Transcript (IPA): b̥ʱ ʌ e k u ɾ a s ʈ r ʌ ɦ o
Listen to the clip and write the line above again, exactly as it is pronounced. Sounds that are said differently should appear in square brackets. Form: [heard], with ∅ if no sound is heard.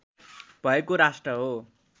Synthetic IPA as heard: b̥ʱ ʌ e k [o] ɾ a s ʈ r ʌ ɦ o